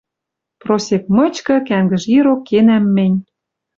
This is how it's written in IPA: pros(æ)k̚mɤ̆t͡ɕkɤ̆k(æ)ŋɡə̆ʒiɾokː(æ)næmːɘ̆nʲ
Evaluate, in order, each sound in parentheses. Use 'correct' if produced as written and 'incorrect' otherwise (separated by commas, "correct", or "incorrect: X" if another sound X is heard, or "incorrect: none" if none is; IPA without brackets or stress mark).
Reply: incorrect: e, correct, incorrect: e